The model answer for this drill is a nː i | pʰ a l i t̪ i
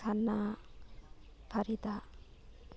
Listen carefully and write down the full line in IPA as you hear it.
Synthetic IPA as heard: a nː a | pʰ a ɾ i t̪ a